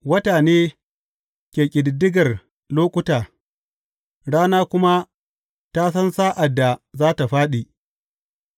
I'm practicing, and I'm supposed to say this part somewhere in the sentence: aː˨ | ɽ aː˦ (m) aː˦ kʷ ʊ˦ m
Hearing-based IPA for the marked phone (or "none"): n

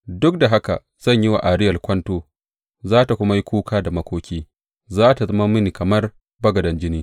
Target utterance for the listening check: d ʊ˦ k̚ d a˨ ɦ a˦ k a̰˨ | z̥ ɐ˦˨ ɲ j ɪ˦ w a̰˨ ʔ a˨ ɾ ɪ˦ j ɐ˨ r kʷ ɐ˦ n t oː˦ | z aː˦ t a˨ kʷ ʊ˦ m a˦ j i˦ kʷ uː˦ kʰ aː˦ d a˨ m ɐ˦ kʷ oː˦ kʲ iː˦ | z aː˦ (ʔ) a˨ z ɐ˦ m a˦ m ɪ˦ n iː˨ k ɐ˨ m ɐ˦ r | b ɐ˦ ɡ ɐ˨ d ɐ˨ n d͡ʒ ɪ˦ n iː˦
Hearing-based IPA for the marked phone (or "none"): t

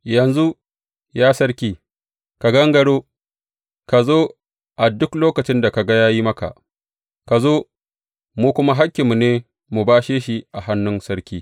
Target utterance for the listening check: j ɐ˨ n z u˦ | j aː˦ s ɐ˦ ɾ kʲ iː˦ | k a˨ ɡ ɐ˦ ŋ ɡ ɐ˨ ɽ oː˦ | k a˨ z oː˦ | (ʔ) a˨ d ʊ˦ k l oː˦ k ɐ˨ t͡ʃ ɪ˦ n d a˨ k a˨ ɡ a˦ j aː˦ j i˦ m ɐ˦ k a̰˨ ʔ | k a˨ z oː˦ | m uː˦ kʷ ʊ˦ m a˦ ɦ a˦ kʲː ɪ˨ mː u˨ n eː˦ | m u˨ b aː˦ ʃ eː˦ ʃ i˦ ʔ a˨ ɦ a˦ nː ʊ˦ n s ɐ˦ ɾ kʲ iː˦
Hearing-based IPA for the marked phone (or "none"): ʔ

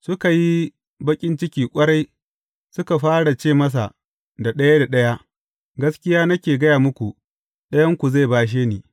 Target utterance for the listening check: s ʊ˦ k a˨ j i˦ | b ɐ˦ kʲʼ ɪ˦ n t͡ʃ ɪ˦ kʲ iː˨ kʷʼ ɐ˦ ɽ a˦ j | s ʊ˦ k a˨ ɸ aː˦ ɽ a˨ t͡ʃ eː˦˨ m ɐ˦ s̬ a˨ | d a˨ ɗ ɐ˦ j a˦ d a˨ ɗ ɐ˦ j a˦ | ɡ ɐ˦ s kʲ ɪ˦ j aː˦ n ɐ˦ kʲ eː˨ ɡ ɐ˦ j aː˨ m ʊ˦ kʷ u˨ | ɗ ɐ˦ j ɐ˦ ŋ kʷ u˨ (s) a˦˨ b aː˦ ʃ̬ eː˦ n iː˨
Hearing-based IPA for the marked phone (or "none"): z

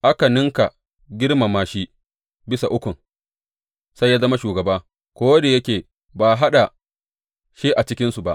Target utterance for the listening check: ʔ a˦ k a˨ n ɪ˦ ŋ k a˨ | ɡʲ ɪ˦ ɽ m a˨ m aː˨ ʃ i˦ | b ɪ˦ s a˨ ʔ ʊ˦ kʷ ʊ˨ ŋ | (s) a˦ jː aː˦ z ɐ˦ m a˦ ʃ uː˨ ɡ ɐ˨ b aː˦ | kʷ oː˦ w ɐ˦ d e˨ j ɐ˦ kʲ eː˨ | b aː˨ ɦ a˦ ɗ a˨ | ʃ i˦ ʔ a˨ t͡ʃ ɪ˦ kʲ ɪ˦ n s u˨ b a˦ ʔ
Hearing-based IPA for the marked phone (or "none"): s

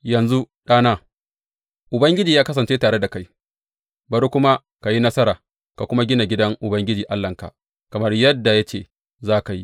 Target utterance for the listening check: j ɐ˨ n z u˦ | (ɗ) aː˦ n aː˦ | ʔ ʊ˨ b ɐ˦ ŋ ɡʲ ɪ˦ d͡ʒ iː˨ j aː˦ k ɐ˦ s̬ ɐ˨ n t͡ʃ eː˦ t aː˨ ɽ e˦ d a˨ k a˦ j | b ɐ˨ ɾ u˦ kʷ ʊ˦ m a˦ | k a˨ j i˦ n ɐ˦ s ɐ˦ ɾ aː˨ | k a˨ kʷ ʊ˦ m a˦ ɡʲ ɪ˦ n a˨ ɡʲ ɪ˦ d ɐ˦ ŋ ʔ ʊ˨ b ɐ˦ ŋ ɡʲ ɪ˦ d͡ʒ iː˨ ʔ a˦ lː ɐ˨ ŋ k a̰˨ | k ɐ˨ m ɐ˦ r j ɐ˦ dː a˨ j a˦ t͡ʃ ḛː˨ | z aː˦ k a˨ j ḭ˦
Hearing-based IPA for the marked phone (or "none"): ɗ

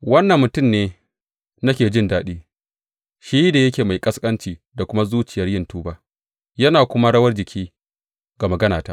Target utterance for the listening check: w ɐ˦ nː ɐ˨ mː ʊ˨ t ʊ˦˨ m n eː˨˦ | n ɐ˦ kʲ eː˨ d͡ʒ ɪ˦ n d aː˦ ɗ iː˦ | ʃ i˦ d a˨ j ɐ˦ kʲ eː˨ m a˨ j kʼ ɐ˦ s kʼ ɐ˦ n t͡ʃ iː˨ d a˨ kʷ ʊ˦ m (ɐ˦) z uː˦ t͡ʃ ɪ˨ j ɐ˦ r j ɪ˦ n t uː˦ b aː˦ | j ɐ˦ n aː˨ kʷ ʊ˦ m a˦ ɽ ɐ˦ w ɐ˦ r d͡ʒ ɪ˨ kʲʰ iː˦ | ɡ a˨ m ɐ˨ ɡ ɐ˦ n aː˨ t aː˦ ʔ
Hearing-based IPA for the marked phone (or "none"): a˦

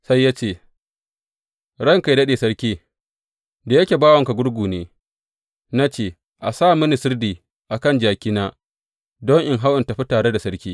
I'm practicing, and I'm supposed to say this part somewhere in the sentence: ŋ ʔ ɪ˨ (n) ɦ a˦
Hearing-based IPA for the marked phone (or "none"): ŋ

